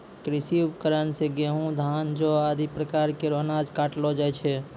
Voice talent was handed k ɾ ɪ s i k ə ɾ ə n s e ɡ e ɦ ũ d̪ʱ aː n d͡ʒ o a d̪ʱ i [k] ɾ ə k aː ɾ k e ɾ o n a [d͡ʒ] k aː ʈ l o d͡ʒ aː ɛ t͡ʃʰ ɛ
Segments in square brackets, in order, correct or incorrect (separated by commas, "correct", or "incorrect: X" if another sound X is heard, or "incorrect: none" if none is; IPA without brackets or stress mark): incorrect: p, correct